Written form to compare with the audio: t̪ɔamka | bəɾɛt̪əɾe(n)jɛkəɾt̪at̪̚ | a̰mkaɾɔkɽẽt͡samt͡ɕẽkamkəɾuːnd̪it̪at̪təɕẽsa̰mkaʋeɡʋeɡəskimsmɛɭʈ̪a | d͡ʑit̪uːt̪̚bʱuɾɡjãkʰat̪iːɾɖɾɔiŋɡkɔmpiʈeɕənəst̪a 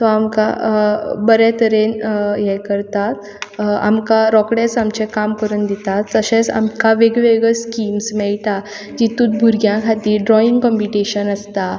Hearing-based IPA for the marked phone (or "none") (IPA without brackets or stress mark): n